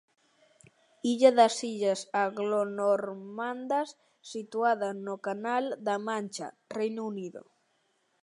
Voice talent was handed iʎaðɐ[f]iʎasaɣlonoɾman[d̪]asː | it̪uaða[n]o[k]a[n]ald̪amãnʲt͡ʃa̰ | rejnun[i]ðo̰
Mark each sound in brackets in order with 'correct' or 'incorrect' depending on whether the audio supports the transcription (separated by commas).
incorrect, correct, correct, correct, correct, correct